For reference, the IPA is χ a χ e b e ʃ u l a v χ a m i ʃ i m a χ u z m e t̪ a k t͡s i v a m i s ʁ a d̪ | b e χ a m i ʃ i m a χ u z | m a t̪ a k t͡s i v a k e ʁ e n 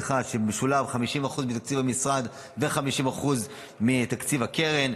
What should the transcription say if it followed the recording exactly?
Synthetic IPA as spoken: χ a ʃ e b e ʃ u l a v χ a m i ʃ i m a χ u z m i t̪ a k t͡s i v a m i s ʁ a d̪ | v e χ a m i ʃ i m a χ u z | m i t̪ a k t͡s i v a k e ʁ e n